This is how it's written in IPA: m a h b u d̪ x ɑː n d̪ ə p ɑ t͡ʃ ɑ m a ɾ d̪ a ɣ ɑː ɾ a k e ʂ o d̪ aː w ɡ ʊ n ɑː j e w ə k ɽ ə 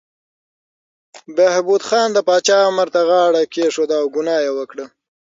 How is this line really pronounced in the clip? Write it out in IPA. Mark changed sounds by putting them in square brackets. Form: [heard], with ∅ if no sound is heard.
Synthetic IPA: [b] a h b u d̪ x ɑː n d̪ ə p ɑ t͡ʃ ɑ m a ɾ [t̪] a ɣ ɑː [ɽ] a k e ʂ o d̪ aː w ɡ ʊ n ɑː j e w ə k ɽ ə